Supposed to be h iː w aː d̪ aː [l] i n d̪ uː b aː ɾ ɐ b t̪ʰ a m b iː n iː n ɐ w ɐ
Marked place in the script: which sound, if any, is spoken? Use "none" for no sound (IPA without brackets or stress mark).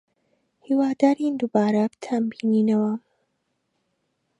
ɾ